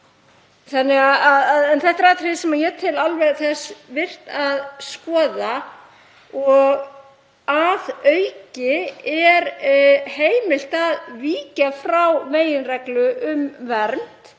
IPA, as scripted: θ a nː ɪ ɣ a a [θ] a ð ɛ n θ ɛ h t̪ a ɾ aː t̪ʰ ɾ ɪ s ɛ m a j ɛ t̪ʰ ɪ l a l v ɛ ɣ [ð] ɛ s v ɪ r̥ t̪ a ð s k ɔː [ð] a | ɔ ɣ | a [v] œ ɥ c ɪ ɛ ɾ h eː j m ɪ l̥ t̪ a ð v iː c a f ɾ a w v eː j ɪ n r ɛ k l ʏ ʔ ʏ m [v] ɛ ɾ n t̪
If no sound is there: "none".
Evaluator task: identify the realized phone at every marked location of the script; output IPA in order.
ð, θ, ð, ð, v

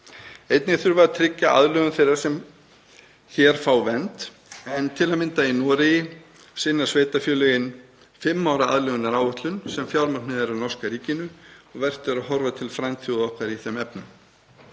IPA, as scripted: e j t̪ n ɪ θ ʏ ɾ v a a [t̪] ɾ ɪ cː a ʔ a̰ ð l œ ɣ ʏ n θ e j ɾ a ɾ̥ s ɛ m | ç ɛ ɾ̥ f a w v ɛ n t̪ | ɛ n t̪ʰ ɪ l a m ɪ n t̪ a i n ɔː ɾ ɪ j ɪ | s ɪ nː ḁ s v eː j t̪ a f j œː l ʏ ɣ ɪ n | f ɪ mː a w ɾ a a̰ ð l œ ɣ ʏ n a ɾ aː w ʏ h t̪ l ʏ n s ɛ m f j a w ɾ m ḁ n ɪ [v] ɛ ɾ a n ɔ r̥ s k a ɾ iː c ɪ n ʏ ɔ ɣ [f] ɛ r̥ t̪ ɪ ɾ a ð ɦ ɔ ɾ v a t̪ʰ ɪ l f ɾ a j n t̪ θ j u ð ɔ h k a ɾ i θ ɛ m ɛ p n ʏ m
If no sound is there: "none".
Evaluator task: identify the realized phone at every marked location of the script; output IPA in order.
t̪ʰ, ð, v

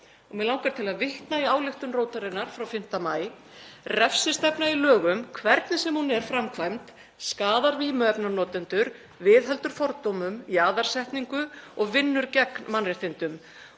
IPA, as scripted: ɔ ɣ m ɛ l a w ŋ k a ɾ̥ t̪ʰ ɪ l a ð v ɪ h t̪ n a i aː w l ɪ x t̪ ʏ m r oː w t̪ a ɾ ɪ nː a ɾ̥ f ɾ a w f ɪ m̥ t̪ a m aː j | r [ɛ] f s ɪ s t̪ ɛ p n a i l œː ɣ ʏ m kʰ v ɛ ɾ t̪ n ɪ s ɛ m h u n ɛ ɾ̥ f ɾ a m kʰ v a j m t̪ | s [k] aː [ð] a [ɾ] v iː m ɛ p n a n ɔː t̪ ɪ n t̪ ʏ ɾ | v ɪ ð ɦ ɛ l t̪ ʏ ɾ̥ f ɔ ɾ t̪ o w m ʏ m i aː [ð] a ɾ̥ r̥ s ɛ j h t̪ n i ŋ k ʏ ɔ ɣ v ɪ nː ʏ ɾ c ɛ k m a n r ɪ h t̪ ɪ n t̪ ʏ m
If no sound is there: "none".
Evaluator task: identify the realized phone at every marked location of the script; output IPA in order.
ɛ, k, ð, ɾ, ð

